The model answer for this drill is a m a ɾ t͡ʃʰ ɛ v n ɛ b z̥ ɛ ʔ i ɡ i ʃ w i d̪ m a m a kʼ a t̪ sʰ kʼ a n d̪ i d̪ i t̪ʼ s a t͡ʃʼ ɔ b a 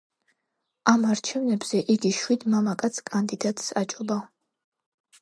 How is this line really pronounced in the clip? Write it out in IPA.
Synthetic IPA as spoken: a m a ɾ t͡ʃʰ ɛ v n ɛ b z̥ ɛ ʔ i ɡ i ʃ w i d̪ m a m a kʼ a t̪ sʰ kʼ a n d̪ i d̪ a t̪ʼ s a t͡ʃʼ ɔ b a